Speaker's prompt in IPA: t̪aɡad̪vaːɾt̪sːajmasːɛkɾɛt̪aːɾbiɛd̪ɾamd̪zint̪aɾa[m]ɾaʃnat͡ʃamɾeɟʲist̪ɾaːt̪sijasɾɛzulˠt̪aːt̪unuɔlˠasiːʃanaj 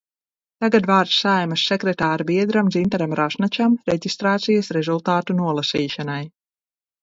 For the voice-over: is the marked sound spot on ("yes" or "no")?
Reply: yes